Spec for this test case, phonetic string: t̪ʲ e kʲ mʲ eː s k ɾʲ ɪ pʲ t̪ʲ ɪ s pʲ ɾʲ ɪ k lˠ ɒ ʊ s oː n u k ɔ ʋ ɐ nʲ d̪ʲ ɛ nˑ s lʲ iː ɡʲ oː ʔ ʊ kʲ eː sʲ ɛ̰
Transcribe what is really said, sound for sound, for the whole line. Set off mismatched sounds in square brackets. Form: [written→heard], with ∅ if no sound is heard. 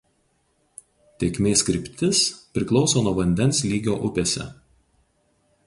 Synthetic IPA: t̪ʲ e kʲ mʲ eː s k ɾʲ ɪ pʲ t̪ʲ ɪ s pʲ ɾʲ ɪ k lˠ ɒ ʊ s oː n u [k→∅] ɔ ʋ ɐ nʲ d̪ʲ ɛ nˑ s lʲ iː ɡʲ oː ʔ ʊ [kʲ→pʲ] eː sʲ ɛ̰